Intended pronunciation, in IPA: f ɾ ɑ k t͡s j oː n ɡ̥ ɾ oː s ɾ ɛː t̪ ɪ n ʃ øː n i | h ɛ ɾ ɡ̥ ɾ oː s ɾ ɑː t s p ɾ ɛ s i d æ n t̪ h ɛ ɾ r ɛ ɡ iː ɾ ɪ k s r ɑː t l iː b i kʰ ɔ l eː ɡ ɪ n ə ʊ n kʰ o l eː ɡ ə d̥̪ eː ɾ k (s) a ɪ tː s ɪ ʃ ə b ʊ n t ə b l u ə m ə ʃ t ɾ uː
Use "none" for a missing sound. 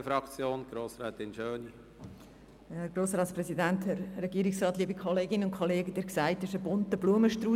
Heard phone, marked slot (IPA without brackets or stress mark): s